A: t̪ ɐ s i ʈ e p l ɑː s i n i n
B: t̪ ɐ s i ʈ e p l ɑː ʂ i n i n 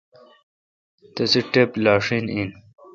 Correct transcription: B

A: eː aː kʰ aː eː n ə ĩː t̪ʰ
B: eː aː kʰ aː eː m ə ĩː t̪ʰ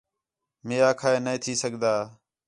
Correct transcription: A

